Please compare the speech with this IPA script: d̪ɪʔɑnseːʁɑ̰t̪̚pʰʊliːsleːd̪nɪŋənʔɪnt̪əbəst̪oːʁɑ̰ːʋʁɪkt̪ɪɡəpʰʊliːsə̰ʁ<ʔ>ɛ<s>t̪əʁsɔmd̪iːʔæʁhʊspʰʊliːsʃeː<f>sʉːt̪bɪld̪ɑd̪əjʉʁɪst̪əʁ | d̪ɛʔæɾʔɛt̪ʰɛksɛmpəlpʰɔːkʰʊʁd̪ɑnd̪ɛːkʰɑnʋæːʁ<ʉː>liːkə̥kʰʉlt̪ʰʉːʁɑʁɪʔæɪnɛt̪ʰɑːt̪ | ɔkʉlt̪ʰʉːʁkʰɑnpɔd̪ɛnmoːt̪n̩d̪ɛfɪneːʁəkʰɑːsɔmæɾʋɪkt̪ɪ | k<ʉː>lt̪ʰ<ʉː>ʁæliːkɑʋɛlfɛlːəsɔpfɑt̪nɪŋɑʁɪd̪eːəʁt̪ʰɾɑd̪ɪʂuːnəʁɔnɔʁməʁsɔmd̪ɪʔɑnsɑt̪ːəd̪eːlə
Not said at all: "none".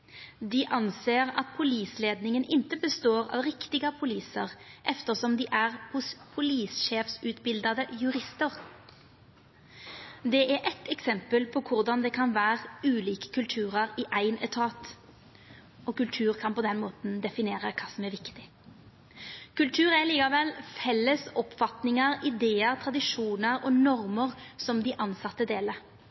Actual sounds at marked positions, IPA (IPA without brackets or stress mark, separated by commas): ʔ, f, f, ʉː, ʉ, ʉː